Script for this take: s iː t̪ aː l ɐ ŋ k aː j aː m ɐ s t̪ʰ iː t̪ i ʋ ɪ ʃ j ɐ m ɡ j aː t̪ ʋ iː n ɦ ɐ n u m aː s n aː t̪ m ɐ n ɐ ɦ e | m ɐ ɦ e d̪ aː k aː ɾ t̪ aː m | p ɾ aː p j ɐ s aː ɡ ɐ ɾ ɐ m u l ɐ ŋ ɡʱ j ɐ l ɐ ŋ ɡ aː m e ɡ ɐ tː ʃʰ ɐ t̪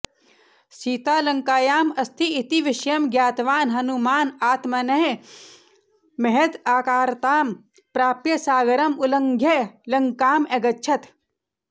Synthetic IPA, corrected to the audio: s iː t̪ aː l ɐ ŋ k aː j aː m ɐ s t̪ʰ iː t̪ i ʋ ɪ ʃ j ɐ m ɡ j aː t̪ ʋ aː n ɦ ɐ n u m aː n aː t̪ m ɐ n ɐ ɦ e | m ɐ ɦ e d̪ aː k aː ɾ t̪ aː m | p ɾ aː p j ɐ s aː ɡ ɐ ɾ ɐ m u l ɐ ŋ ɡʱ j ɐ l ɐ ŋ k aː m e ɡ ɐ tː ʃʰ ɐ t̪